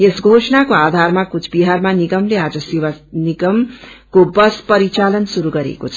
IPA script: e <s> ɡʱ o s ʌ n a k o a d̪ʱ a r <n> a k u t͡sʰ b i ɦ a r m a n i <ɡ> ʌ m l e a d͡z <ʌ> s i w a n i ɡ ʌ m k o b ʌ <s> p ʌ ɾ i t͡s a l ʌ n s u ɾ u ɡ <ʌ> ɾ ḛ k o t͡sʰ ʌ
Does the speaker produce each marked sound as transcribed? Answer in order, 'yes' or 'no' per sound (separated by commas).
yes, no, yes, yes, yes, yes